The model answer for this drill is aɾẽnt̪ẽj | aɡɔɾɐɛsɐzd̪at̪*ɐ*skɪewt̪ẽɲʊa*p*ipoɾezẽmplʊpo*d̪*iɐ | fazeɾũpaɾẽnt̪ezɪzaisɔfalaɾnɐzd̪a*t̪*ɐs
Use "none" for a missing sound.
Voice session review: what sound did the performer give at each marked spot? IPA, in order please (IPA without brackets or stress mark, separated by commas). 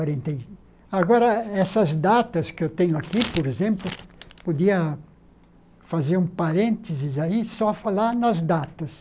ɐ, k, d̪, t̪